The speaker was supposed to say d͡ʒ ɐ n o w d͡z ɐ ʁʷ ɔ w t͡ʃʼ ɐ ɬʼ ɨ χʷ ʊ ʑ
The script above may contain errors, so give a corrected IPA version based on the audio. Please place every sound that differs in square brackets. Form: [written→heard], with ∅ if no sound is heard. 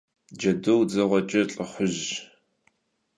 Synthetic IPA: d͡ʒ ɐ [n→d] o w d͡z ɐ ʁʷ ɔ [w→∅] t͡ʃʼ ɐ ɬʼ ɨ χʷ ʊ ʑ